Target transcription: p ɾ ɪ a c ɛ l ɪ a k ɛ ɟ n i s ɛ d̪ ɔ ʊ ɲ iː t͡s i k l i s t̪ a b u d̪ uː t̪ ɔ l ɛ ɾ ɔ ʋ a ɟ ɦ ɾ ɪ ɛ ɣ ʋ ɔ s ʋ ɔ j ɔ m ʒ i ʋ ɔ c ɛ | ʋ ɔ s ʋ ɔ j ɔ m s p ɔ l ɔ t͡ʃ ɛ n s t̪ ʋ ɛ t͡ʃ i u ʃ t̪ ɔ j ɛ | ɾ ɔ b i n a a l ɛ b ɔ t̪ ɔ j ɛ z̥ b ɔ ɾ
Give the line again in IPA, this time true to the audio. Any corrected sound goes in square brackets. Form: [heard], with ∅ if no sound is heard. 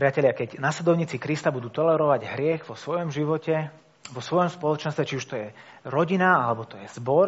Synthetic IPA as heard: p ɾ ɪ a c ɛ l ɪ a k ɛ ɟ n [a] s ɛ d̪ ɔ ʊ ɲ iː t͡s i k [ɾ] i s t̪ a b u d̪ uː t̪ ɔ l ɛ ɾ ɔ ʋ a ɟ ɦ ɾ ɪ ɛ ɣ ʋ ɔ s ʋ ɔ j ɔ m ʒ i ʋ ɔ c ɛ | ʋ ɔ s ʋ ɔ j ɔ m s p ɔ l ɔ t͡ʃ ɛ n s t̪ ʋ ɛ t͡ʃ i u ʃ t̪ ɔ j ɛ | ɾ ɔ [ɟ] i n a a l ɛ b ɔ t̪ ɔ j ɛ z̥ b ɔ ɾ